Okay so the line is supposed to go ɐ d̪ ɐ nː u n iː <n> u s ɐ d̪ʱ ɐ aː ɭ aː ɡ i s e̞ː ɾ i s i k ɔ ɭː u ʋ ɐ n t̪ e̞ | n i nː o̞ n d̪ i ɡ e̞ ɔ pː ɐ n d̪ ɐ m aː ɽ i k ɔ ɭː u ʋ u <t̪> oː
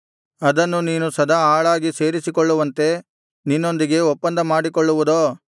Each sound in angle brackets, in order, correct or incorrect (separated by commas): correct, incorrect